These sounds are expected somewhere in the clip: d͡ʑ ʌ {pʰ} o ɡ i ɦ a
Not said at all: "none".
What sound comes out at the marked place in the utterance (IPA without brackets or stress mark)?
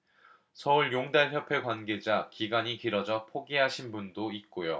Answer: pʰ